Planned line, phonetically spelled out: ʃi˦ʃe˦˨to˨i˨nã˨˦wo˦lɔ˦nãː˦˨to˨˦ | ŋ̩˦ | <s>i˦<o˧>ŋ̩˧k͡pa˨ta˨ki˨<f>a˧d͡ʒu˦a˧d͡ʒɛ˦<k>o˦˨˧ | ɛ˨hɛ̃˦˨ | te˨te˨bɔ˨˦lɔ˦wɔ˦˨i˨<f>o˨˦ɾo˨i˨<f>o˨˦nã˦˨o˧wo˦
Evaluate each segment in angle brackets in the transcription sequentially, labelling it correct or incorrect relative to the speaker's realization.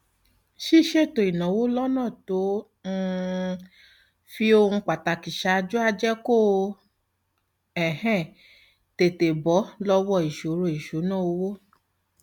incorrect: f, correct, incorrect: ʃ, correct, incorrect: ʃ, incorrect: ʃ

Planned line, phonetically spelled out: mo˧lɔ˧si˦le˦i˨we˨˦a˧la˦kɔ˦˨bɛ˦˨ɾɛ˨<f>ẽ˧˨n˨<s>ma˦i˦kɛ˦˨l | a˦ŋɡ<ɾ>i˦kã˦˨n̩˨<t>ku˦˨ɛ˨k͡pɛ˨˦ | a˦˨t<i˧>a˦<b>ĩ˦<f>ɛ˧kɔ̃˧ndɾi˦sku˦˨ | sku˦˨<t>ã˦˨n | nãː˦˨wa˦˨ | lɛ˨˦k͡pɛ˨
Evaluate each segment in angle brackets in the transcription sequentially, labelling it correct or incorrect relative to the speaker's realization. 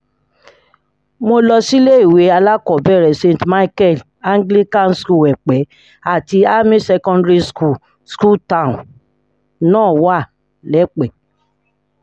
incorrect: s, incorrect: t, incorrect: l, incorrect: s, correct, incorrect: m, incorrect: s, correct

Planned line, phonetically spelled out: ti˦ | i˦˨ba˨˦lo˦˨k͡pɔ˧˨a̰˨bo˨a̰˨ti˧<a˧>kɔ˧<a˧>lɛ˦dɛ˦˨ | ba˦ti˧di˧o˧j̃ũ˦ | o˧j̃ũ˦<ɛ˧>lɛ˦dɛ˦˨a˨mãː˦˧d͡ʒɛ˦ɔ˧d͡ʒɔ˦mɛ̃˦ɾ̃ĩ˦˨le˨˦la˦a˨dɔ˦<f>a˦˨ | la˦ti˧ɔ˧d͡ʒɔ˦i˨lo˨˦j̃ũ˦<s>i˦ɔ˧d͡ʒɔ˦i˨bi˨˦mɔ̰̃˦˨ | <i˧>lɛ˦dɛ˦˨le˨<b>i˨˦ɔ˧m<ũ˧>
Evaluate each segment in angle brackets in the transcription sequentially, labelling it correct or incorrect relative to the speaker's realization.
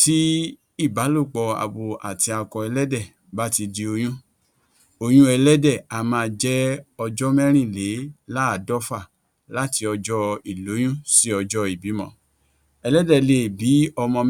correct, incorrect: ɛ˧, correct, correct, correct, incorrect: ɛ˧, correct, incorrect: ɔ̃˧

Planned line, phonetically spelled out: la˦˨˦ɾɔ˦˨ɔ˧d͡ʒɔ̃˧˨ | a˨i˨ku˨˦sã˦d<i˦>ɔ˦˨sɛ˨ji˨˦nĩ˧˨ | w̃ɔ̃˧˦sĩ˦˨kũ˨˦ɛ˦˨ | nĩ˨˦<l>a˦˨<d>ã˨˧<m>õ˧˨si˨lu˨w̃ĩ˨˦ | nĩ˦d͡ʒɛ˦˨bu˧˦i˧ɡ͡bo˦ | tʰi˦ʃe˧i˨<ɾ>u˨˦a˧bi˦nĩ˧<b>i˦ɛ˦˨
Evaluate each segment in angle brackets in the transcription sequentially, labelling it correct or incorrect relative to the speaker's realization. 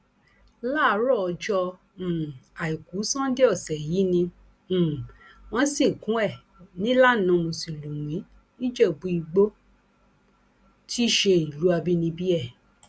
incorrect: e˦, correct, incorrect: n, correct, incorrect: l, correct

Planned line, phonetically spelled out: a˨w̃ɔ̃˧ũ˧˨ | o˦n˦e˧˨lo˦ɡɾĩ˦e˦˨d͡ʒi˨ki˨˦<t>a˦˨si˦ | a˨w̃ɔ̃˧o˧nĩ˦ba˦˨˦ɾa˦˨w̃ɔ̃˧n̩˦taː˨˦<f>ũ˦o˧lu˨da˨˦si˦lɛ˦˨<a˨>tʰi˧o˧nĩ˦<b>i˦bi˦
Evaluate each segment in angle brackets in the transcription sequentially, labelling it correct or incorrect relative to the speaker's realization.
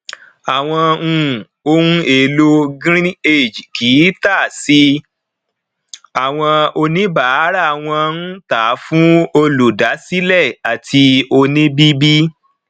correct, correct, correct, correct

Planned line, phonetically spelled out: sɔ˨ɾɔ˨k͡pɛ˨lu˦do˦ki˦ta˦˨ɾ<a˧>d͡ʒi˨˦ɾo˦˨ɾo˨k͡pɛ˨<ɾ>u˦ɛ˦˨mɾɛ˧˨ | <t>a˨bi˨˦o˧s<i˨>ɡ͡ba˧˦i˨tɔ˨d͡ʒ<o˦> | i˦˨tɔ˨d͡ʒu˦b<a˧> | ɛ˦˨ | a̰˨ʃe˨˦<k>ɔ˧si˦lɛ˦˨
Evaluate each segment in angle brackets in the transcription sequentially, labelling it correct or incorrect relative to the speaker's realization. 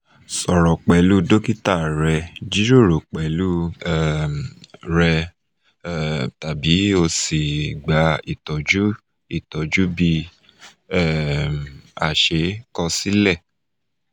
incorrect: ɛ˧, incorrect: l, correct, correct, incorrect: u˦, incorrect: i˧, correct

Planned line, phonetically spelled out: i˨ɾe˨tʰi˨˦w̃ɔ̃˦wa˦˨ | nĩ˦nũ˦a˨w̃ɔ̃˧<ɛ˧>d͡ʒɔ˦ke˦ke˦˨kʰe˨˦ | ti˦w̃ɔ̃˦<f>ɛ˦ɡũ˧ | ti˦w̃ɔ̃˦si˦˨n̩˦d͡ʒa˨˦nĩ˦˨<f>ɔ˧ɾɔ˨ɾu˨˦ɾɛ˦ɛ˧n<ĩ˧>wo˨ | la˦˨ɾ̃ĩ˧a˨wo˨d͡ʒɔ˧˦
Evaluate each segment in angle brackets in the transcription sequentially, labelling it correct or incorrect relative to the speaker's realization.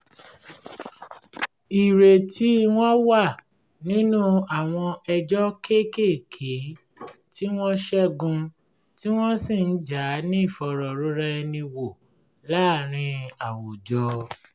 correct, incorrect: ʃ, correct, correct

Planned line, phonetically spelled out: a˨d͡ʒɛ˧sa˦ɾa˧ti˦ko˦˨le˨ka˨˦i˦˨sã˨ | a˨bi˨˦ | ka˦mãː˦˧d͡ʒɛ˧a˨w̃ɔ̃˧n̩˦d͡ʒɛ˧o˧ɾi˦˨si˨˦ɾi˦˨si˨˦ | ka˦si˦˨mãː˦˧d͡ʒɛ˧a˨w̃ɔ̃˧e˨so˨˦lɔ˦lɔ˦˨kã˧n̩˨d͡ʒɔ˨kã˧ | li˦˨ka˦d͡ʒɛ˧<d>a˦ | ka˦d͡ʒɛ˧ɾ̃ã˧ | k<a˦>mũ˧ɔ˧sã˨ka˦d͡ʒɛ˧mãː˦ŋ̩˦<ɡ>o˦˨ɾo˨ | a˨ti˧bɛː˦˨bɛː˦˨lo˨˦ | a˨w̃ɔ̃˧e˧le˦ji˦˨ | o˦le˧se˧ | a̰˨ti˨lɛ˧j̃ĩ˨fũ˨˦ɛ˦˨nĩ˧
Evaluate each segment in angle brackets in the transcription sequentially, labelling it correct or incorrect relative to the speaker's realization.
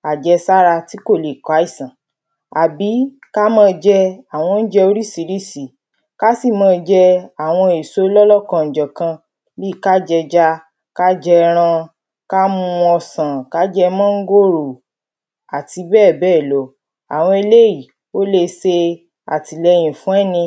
incorrect: d͡ʒ, correct, correct

